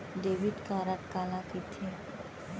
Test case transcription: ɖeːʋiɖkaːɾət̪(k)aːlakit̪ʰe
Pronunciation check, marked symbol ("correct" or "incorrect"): correct